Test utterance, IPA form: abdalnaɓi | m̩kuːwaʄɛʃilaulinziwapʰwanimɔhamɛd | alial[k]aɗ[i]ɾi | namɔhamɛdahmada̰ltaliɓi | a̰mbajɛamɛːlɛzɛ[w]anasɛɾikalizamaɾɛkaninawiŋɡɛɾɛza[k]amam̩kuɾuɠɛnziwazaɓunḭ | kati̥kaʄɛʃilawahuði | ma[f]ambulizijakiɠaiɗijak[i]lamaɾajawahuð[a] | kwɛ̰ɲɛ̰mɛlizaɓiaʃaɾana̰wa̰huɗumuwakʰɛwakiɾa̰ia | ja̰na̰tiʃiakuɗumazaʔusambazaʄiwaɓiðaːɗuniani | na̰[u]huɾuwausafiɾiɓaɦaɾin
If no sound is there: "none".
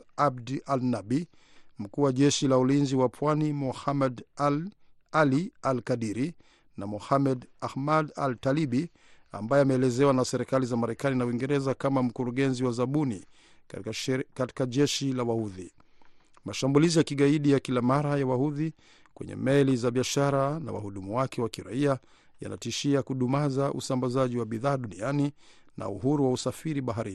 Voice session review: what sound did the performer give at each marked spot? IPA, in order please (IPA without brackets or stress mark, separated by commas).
k, i, w, k, ʃ, i, i, u